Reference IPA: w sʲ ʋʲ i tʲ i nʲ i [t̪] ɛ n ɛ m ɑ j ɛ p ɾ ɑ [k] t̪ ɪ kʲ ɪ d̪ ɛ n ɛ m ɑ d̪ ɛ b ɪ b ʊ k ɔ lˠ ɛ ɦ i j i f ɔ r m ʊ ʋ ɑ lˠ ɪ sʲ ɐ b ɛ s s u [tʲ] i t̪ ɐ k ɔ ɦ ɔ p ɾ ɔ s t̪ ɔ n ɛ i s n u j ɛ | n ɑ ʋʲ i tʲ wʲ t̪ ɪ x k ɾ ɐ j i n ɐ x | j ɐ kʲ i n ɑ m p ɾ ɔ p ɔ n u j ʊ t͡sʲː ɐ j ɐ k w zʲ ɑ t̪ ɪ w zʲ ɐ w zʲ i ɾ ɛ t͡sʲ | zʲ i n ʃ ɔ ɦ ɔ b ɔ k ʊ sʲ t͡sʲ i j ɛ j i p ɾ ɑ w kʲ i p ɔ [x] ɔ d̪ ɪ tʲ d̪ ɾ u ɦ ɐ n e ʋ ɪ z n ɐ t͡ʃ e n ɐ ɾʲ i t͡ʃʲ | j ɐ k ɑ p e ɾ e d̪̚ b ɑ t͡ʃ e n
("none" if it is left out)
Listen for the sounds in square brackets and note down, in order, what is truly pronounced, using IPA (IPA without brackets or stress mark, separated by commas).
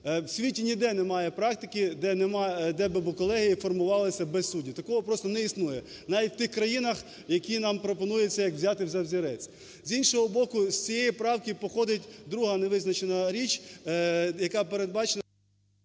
d̪, k, dʲ, x